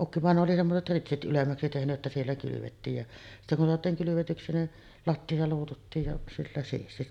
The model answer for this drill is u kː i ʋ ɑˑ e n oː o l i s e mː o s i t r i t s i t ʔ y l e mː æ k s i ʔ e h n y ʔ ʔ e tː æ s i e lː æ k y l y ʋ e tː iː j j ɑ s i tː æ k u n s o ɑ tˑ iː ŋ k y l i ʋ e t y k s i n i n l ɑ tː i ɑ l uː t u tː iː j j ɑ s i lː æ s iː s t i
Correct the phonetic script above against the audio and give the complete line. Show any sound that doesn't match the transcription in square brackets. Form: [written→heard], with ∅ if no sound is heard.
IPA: u kː i ʋ ɑˑ e n oː o l i s e mː o s [i→e] t r i t s i t ʔ y l e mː æ k s i [ʔ→t] e h n y ʔ ʔ e tː æ s i e lː æ k y l y ʋ e tː iː j j ɑ s i tː æ k u n s o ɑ tˑ iː ŋ k y l [i→y] ʋ e t y k s i n i n l ɑ tː i ɑ l uː t u tː iː j j ɑ s i lː æ s iː s t i